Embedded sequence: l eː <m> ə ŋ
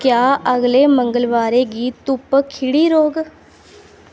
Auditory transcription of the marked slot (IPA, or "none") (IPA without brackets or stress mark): m